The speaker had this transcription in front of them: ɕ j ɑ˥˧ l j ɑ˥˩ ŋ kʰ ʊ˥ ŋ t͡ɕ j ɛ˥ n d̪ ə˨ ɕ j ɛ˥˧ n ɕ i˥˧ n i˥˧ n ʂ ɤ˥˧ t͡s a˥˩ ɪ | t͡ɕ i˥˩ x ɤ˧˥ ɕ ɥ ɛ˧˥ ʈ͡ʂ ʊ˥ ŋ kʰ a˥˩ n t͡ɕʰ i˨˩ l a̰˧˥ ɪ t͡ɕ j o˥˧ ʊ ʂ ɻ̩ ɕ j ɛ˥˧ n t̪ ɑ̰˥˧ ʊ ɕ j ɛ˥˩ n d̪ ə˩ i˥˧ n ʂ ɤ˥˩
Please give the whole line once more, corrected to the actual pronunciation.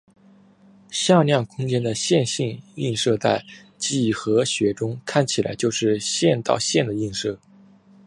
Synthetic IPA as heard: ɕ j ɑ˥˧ l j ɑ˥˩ ŋ kʰ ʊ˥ ŋ t͡ɕ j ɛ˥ n d̪ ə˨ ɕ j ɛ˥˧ n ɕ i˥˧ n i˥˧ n ʂ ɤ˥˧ t͡s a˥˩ ɪ | t͡ɕ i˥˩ x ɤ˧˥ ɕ ɥ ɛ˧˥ ʈ͡ʂ ʊ˥ ŋ kʰ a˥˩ n t͡ɕʰ i˨˩ l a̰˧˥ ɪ t͡ɕ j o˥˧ ʊ ʂ ɻ̩ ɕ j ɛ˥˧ n t̪ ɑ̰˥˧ ʊ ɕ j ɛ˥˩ n d̪ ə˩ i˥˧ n ʂ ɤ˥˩

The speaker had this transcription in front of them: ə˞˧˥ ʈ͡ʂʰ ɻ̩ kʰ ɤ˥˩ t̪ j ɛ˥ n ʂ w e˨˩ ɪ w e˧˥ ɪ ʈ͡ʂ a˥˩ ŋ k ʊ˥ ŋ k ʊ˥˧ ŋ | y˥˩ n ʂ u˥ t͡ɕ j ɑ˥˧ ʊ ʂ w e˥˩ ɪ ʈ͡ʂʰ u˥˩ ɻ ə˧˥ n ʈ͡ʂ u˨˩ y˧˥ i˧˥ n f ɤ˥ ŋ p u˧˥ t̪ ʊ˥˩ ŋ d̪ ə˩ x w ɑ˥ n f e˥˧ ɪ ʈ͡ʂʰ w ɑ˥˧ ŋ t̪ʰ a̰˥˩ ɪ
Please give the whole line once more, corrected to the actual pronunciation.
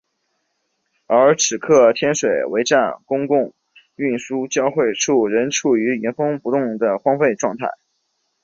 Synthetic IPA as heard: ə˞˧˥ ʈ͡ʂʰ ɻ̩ kʰ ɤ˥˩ t̪ʰ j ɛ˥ n ʂ w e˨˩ ɪ w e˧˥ ɪ ʈ͡ʂ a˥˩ n k ʊ˥ ŋ k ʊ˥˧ ŋ | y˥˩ n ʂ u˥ t͡ɕ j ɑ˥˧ ʊ x w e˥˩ ɪ ʈ͡ʂʰ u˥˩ ɻ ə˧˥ n ʈ͡ʂʰ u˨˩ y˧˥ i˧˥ n f ɤ˥ ŋ p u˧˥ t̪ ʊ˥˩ ŋ d̪ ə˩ x w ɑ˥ ŋ f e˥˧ ɪ ʈ͡ʂ w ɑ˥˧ ŋ t̪ʰ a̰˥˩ ɪ

